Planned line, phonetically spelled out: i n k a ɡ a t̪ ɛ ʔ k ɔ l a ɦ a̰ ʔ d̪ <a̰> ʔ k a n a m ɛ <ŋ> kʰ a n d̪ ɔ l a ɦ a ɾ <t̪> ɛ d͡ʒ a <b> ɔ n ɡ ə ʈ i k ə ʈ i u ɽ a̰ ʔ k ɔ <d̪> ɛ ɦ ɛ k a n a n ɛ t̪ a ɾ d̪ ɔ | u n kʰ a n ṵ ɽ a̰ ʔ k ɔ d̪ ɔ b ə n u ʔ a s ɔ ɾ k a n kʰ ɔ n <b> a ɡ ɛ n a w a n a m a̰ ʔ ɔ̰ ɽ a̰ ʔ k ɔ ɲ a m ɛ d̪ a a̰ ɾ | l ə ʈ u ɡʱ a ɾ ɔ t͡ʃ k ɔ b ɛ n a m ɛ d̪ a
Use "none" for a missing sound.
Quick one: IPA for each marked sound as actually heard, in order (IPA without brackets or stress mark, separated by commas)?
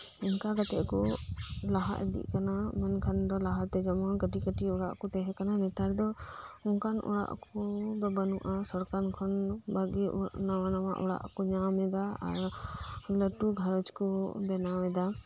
ḭ, n, t̪, m, t̪, b